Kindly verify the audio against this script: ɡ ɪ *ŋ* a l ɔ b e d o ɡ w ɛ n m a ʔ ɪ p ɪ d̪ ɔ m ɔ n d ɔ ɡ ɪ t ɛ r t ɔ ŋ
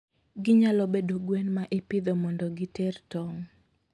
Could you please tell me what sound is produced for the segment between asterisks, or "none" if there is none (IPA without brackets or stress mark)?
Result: ɲ